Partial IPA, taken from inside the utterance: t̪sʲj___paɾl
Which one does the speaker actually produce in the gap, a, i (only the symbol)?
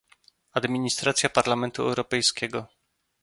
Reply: a